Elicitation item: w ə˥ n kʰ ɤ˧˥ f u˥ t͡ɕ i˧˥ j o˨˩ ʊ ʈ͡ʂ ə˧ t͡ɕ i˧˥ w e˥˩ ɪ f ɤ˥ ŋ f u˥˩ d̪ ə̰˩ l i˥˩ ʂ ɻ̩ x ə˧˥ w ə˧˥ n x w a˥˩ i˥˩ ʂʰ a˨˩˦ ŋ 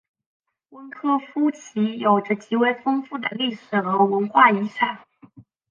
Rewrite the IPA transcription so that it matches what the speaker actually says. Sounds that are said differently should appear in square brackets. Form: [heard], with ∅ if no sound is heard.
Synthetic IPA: w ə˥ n kʰ [ɤ˥] f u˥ [t͡ɕʰ] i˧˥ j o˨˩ ʊ ʈ͡ʂ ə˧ t͡ɕ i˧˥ w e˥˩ ɪ f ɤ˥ ŋ f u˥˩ d̪ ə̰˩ l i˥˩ ʂ ɻ̩ x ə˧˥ w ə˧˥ n x w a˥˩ [i˧˥] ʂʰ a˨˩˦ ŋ